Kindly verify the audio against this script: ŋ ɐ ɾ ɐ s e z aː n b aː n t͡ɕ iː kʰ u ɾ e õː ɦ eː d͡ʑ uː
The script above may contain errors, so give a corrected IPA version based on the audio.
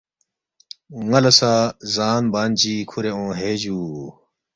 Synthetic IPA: ŋ ɐ l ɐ s a z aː n b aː n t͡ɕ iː kʰ u ɾ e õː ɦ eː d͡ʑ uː

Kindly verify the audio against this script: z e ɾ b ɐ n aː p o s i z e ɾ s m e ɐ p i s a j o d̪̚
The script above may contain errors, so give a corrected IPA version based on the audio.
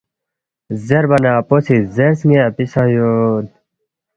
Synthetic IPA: z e ɾ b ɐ n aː p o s i z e ɾ s ŋ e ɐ p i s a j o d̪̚

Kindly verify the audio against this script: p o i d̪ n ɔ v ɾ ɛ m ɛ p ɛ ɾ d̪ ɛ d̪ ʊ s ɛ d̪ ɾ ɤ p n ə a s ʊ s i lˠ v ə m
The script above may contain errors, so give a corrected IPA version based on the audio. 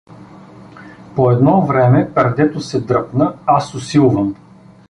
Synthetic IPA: p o ɛ d̪ n ɔ v ɾ ɛ m ɛ p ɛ ɾ d̪ ɛ t̪ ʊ s ɛ d̪ ɾ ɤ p n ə a s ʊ s i lˠ v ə m

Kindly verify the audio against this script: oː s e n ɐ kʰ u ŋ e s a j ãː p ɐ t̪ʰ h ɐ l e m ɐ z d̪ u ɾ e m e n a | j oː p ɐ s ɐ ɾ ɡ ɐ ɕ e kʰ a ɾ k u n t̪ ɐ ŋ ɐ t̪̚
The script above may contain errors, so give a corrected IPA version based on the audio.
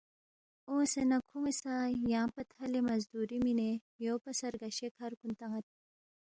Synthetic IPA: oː s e n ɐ kʰ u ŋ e s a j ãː p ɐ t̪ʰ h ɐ l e m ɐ z d̪ u ɾ i m i n e | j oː p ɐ s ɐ ɾ ɡ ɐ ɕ e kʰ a ɾ k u n t̪ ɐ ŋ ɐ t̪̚

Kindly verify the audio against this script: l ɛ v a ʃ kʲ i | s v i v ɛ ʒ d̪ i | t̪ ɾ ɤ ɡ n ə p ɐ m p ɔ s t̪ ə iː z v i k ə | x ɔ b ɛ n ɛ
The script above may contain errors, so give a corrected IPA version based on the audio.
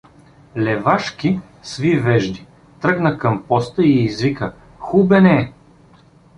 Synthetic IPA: l ɛ v a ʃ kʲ i | s v i v ɛ ʒ d̪ i | t̪ ɾ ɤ ɡ n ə k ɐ m p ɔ s t̪ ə iː z v i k ə | x u b ɛ n ɛ

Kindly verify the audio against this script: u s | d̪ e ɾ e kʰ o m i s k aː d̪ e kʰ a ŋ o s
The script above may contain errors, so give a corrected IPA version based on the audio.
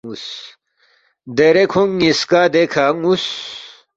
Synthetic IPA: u s | d̪ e ɾ e kʰ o ŋ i s k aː d̪ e kʰ a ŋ u s

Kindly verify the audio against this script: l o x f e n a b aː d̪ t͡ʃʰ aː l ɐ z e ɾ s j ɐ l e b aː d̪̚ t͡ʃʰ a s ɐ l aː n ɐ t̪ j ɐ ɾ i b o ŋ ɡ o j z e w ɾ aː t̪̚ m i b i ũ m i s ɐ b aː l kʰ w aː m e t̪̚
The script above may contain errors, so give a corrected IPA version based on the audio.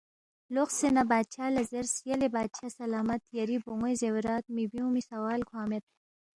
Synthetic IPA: l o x s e n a b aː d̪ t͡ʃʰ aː l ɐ z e ɾ s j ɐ l e b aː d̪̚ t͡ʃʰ a s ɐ l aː m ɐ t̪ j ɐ ɾ i b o ŋ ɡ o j z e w ɾ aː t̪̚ m i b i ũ m i s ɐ w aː l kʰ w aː m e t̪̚

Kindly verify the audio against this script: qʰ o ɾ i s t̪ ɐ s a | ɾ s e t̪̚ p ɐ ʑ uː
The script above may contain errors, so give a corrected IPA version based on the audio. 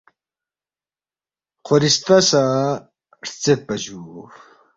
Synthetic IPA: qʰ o ɾ i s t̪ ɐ s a | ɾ t͡s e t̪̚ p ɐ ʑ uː

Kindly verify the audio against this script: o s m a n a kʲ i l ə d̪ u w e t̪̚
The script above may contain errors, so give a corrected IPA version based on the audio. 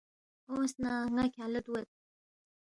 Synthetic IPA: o s n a ŋ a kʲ a l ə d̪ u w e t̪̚

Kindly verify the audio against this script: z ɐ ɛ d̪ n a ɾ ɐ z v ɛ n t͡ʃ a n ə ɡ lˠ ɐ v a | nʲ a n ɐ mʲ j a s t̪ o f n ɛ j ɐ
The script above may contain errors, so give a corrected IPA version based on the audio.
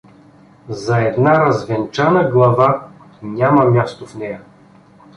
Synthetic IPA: z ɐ ɛ d̪ n a ɾ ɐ z v ɛ n t͡ʃ a n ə ɡ lˠ ɐ v a | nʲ a m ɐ mʲ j a s t̪ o f n ɛ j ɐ

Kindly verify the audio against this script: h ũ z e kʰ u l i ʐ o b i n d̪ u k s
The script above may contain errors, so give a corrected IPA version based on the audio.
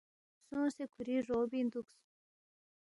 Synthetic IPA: s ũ s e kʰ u ɾ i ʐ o b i n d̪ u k s

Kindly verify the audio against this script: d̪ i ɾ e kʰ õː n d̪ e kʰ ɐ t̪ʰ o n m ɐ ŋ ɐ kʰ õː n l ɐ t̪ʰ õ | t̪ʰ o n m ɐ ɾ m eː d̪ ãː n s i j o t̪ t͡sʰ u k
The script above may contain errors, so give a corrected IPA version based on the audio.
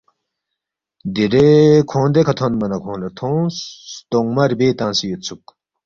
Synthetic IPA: d̪ i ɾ e kʰ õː n d̪ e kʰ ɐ t̪ʰ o n m ɐ n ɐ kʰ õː n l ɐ t̪ʰ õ | t̪ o ŋ m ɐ ɾ b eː t̪ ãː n s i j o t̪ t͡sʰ u k

